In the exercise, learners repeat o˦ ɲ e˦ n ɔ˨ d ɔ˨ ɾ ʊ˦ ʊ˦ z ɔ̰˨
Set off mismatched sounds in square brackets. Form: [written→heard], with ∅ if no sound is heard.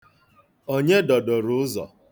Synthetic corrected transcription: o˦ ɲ e˦ [n→d] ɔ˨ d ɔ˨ ɾ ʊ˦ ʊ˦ z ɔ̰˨